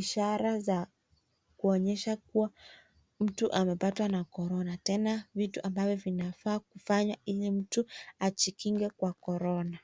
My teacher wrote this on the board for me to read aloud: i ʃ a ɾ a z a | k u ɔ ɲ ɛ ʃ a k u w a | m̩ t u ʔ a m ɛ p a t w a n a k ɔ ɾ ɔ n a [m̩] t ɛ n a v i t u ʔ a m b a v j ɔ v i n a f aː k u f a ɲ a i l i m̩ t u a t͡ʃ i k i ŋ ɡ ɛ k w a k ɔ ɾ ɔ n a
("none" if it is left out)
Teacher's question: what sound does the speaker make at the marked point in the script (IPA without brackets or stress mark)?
none